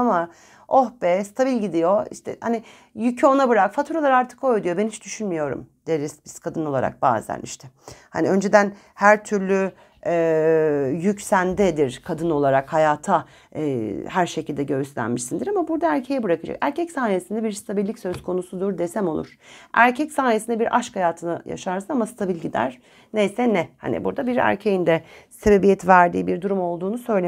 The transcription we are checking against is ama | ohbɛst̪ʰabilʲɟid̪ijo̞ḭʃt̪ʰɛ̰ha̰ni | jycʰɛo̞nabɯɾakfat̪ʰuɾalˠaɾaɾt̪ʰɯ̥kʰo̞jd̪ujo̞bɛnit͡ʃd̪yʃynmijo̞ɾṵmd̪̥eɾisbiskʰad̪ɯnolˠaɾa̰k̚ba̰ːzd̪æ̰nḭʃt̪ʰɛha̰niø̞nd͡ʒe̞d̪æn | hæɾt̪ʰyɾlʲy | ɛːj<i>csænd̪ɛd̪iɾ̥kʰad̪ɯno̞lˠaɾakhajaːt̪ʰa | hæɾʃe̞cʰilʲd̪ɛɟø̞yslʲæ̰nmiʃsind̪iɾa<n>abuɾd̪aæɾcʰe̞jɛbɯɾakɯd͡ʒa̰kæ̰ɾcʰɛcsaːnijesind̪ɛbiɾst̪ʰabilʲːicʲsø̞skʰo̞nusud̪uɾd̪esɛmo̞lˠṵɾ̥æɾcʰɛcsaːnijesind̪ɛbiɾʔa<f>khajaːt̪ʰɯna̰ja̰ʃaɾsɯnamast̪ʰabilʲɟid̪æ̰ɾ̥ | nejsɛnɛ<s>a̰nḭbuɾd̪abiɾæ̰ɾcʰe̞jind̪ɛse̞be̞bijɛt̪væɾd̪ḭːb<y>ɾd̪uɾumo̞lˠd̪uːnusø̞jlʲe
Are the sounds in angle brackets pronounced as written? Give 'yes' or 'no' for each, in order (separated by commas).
no, no, no, no, no